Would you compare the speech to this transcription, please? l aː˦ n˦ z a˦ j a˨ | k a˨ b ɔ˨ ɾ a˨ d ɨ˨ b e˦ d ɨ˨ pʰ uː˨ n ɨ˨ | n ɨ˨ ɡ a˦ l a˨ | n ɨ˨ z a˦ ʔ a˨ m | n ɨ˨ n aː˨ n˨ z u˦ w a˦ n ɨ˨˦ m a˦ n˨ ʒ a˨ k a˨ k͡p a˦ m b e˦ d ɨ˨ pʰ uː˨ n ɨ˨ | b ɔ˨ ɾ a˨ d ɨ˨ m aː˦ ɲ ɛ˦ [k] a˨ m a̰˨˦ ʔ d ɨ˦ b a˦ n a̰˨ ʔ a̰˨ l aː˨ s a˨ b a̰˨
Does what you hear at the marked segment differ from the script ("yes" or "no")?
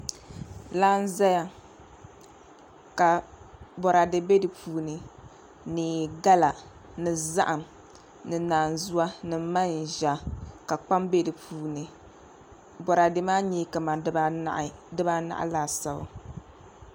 no